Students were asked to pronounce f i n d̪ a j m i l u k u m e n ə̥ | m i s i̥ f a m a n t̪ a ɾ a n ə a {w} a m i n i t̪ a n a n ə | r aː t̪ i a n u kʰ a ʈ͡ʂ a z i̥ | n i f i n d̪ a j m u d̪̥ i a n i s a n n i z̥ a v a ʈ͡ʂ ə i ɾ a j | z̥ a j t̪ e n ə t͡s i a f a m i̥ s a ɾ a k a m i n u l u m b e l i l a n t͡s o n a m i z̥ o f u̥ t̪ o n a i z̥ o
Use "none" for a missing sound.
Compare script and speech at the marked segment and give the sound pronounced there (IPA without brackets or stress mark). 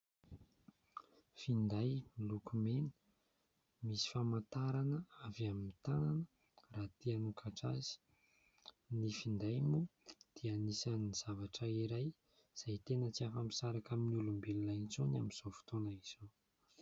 v